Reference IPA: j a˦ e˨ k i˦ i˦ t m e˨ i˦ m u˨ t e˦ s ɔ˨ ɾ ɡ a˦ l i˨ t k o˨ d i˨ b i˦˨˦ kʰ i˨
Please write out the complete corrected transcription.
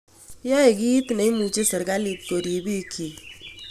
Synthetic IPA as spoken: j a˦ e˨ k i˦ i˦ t n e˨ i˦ m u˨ t͡ʃ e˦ s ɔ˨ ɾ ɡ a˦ l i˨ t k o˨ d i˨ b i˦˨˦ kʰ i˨